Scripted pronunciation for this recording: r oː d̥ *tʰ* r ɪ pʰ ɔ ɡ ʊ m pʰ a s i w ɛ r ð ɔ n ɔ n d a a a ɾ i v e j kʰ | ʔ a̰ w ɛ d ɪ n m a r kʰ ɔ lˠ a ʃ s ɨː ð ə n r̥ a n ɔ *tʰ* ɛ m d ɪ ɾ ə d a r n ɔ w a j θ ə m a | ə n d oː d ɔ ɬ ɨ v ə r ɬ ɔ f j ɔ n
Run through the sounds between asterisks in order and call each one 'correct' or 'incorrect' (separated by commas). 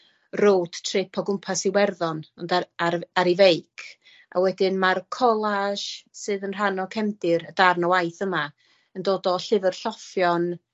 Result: correct, incorrect